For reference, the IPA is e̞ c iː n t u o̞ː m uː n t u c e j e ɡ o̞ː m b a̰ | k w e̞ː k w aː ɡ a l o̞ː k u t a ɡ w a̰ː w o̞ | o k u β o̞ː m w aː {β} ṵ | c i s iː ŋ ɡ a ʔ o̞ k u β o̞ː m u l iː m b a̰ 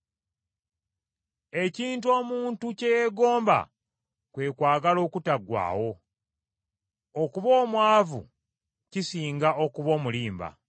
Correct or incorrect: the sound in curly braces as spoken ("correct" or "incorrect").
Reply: incorrect